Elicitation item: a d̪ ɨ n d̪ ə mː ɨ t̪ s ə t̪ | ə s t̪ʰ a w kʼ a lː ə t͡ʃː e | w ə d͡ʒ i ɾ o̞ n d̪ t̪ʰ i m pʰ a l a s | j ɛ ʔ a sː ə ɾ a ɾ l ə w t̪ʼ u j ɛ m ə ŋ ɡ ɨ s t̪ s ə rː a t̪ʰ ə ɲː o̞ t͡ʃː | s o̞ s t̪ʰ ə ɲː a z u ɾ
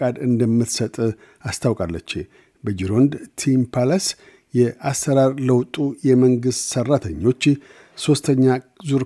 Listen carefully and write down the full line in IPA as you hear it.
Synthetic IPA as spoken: a d̪ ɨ n d̪ ə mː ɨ t̪ s ə t̪ʼ | a s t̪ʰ a w kʼ a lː ə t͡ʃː e | b ə d͡ʒ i ɾ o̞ n d̪ t̪ʰ i m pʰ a l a s | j ɛ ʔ a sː ə ɾ a ɾ l ə w t̪ʼ u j ɛ m ə ŋ ɡ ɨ s t̪ s ə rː a t̪ʰ ə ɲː o̞ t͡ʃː | s o̞ s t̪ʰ ə ɲː a z u ɾ